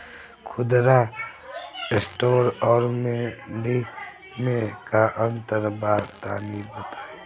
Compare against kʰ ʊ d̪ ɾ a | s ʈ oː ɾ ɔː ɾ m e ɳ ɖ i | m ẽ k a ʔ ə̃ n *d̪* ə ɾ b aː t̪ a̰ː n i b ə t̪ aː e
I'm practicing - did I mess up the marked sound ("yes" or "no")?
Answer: yes